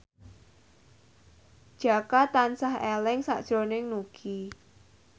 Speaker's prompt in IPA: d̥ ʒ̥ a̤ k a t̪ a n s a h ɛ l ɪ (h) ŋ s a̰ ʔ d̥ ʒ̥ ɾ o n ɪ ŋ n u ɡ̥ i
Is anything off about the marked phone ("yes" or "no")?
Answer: yes